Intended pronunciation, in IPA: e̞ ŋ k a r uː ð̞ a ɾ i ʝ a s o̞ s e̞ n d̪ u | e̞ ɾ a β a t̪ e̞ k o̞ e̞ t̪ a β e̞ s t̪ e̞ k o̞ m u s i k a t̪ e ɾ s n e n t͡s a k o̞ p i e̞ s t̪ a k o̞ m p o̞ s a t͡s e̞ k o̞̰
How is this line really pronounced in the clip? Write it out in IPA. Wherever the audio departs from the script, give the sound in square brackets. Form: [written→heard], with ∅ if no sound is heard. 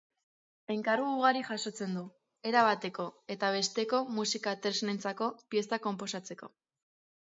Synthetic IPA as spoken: e̞ ŋ k a r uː [ð̞→ɣ̞] a ɾ i ʝ a s o̞ [s→t͡s] e̞ n d̪ u | e̞ ɾ a β a t̪ e̞ k o̞ e̞ t̪ a β e̞ s t̪ e̞ k o̞ m u s i k a t̪ e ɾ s n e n t͡s a k o̞ p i e̞ s t̪ a k o̞ m p o̞ s a t͡s e̞ k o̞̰